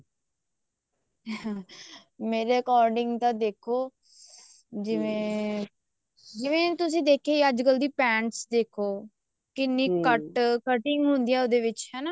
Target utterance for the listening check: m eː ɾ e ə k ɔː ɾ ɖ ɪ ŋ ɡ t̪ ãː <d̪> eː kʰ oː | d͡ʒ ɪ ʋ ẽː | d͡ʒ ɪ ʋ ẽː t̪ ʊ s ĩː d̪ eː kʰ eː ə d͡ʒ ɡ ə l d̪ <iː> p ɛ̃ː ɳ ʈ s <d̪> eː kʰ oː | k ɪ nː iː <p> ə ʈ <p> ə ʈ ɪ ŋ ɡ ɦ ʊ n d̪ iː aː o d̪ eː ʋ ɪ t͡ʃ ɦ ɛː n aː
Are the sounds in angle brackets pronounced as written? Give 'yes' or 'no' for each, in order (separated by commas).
yes, yes, yes, no, no